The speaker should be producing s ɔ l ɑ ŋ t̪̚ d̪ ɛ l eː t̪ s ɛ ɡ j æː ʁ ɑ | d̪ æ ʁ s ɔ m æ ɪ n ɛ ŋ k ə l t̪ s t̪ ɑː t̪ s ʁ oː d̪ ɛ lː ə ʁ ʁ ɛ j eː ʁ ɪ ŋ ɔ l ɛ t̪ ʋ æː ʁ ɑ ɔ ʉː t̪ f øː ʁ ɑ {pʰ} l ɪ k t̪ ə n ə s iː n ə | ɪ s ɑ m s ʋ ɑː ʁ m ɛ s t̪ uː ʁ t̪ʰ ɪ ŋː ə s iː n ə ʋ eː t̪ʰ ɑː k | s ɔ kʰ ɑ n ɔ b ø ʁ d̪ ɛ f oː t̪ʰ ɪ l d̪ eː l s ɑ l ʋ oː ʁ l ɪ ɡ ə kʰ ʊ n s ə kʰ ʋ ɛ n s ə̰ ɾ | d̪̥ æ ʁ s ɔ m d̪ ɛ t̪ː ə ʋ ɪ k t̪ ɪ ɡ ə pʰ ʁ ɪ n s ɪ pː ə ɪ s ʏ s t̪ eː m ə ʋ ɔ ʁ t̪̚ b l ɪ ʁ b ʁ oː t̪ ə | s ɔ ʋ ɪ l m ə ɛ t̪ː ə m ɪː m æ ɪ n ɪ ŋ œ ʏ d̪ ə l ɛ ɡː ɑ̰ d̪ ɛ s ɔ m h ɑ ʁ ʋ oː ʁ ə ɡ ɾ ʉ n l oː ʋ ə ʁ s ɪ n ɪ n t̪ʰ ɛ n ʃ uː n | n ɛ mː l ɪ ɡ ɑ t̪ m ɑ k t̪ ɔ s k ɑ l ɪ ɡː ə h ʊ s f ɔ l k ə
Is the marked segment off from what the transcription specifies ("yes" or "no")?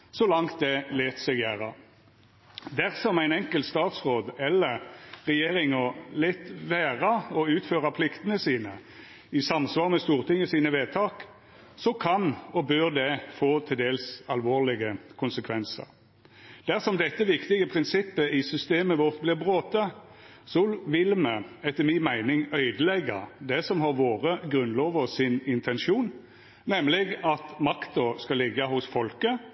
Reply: no